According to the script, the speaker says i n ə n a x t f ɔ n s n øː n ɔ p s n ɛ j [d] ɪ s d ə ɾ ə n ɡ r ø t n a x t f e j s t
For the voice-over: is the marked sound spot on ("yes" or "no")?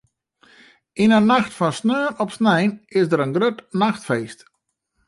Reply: no